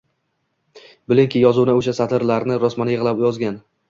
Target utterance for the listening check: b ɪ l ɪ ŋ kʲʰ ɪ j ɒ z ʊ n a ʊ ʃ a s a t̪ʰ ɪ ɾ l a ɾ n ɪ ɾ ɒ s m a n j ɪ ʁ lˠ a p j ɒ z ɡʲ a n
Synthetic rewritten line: b ɪ l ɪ ŋ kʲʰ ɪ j ɒ z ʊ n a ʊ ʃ a s a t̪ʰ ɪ ɾ l a ɾ n ɪ ɾ ɒ s m a n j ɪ ʁ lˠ a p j ɒ z ɡʲ a n